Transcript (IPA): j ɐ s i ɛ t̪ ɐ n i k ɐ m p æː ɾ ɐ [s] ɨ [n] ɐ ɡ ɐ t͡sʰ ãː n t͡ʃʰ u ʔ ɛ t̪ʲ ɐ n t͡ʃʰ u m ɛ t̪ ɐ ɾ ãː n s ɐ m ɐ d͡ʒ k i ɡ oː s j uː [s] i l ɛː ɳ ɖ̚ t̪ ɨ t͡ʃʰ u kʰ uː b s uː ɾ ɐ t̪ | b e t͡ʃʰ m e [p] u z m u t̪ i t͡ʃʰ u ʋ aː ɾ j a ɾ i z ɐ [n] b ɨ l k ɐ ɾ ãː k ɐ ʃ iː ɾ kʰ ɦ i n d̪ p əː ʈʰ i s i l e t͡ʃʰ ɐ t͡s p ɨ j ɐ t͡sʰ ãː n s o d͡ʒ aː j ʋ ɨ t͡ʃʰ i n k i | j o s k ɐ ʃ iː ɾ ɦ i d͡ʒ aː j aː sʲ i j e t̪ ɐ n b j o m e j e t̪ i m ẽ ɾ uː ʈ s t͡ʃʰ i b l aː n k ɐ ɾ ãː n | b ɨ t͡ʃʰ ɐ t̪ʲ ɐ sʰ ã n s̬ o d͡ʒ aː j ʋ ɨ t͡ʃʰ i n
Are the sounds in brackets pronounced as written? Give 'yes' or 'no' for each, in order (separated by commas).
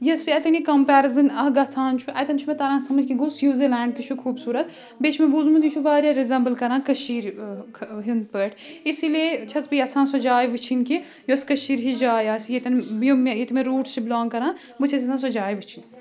no, yes, no, no, no